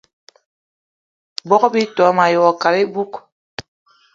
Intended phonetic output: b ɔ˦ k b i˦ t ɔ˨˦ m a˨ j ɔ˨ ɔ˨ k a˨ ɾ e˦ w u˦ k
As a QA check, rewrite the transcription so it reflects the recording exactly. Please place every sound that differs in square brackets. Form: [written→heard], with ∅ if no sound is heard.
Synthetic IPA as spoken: b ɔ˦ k b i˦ t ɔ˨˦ m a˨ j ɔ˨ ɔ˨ k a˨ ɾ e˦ [w→b] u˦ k